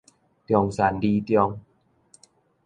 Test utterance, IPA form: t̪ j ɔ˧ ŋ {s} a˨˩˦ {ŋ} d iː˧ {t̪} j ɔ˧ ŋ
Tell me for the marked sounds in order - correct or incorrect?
correct, incorrect: n, correct

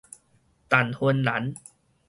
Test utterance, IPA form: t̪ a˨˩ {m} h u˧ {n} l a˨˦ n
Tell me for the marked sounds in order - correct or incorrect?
incorrect: n, correct

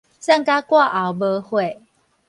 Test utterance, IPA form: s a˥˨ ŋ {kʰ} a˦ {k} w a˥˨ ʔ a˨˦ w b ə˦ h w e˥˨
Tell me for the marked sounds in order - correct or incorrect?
incorrect: k, correct

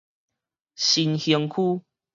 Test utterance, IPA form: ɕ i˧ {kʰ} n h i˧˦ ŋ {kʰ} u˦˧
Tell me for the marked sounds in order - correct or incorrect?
incorrect: none, correct

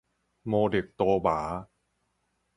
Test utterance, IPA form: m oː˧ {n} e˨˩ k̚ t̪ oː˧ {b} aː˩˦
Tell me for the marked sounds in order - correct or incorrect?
incorrect: d, correct

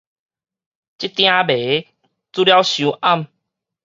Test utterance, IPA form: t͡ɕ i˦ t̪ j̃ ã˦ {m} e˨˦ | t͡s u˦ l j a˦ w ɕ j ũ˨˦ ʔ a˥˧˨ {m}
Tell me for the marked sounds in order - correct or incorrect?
incorrect: b, correct

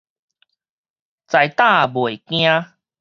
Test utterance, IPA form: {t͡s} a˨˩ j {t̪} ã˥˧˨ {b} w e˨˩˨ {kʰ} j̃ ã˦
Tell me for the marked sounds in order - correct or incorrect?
correct, correct, correct, incorrect: k

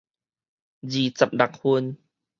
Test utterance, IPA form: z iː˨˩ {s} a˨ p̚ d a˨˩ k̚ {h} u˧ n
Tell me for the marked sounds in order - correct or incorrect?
incorrect: t͡s, correct

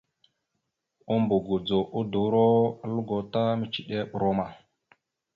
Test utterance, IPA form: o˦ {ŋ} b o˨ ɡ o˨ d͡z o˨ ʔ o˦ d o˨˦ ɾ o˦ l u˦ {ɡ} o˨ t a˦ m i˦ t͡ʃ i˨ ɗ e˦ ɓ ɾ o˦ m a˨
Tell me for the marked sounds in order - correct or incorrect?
incorrect: m, correct

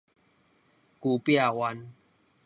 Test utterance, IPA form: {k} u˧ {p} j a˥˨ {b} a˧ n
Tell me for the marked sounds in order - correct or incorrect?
correct, correct, incorrect: w

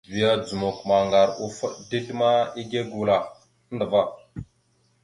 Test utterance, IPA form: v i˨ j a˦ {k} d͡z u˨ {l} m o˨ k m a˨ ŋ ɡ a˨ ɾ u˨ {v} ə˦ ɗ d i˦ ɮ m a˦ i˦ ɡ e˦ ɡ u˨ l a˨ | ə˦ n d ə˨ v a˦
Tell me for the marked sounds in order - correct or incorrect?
incorrect: none, incorrect: none, incorrect: f

